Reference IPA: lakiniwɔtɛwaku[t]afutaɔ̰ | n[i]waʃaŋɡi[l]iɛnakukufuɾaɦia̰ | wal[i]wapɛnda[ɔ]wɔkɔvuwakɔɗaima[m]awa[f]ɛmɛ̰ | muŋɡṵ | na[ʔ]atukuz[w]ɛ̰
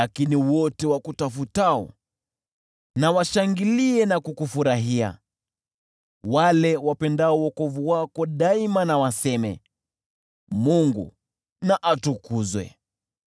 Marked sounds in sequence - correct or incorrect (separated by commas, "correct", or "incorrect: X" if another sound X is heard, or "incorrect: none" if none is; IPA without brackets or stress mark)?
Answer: correct, incorrect: a, correct, incorrect: ɛ, correct, incorrect: n, incorrect: s, correct, correct